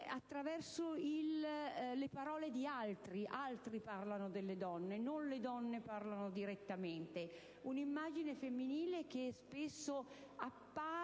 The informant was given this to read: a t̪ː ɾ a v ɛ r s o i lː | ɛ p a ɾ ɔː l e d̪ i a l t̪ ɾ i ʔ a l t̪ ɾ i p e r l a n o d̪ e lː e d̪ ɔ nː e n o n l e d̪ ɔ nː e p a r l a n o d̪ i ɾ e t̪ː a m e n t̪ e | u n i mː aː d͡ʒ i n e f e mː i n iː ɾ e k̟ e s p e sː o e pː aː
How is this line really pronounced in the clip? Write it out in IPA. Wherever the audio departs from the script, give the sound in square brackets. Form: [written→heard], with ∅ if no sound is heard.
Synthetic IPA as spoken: a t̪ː ɾ a v ɛ r s o i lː | [ɛ→e] p a ɾ ɔː l e d̪ i a l t̪ ɾ i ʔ a l t̪ ɾ i p [e→a] r l a n o d̪ e lː e d̪ ɔ nː e n o n l e d̪ ɔ nː e p a r l a n o d̪ i ɾ e t̪ː a m e n t̪ e | u n i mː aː d͡ʒ i n e f e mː i n iː [ɾ→l] e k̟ e s p e sː o [e→a] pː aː